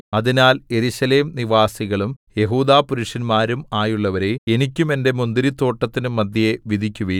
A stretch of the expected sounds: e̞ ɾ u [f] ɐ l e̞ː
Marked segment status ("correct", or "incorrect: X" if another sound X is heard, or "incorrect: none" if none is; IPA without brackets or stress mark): incorrect: ɕ